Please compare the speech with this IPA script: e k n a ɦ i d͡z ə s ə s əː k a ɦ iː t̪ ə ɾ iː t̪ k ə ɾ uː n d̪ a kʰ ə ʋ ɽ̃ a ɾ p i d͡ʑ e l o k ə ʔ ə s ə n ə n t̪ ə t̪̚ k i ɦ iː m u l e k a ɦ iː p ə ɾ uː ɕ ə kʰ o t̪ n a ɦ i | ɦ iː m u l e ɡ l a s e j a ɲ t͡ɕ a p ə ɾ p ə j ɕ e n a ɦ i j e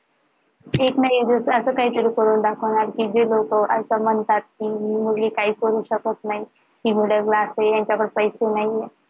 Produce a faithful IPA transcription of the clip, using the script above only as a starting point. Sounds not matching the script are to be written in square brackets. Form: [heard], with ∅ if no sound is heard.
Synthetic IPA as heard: e k n a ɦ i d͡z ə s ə s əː k a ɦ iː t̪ ə ɾ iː [∅] k ə ɾ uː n d̪ a kʰ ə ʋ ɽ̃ a ɾ [k] i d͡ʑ e l o k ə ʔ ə s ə [m] ə n t̪ [a] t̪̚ k i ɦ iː m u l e k a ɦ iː [k] ə ɾ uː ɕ ə [k] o t̪ n a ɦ i | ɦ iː m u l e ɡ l a s e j a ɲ t͡ɕ a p ə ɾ p ə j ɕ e n a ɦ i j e